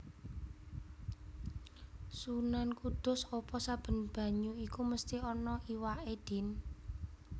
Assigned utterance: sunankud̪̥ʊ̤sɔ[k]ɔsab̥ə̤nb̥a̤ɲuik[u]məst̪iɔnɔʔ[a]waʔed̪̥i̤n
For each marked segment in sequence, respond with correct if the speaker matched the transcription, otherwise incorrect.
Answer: incorrect: p, correct, incorrect: i

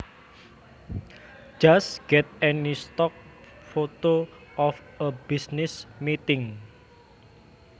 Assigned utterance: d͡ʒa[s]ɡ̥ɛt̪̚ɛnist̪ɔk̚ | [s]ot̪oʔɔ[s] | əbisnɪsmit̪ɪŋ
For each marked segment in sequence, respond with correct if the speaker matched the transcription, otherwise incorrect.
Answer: correct, incorrect: f, incorrect: f

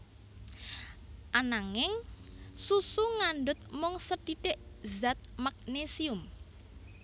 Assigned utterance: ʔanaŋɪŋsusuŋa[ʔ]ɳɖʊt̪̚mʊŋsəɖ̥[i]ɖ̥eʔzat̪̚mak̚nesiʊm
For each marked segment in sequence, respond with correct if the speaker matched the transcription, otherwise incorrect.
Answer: incorrect: none, correct

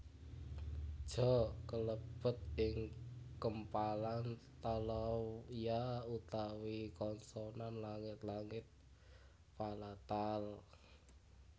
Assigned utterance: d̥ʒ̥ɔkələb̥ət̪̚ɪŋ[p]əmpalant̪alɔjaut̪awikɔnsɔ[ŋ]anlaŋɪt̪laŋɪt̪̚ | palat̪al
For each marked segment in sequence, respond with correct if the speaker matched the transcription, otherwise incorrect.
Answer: incorrect: k, incorrect: n

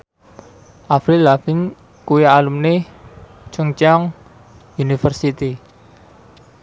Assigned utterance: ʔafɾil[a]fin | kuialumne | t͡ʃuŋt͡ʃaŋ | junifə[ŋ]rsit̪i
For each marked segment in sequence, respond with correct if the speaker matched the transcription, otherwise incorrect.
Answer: correct, incorrect: none

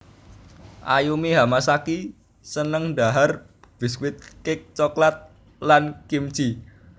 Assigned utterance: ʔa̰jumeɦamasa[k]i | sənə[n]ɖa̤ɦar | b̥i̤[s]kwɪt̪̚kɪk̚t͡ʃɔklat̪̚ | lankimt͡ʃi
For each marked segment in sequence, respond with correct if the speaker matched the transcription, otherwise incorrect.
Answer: correct, incorrect: ŋ, correct

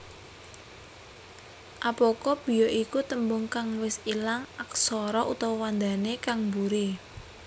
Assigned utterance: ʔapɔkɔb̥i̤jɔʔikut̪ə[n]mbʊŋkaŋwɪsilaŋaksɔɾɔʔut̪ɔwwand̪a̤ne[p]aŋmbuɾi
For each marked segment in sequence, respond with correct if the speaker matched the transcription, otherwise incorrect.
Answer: incorrect: none, incorrect: k

